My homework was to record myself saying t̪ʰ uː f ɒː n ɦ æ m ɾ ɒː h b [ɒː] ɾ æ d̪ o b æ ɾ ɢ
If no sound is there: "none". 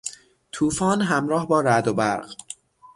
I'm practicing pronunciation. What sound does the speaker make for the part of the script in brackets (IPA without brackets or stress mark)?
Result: ɒː